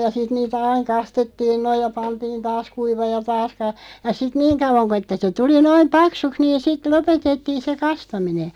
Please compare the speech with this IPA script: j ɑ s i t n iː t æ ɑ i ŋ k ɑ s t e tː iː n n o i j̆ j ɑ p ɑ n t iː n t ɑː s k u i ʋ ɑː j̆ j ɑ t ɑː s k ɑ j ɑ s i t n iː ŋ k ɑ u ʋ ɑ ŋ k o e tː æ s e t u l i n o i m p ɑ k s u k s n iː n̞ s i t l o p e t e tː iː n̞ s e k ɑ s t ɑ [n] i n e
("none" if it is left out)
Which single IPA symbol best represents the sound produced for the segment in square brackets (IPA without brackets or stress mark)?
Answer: m